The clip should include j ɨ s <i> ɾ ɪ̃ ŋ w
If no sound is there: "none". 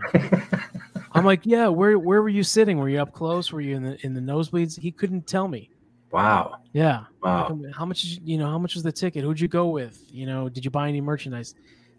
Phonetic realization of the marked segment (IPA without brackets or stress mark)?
ɪ